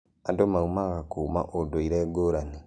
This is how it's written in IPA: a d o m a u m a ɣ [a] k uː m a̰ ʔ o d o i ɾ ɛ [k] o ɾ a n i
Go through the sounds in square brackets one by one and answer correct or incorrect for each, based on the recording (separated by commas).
correct, incorrect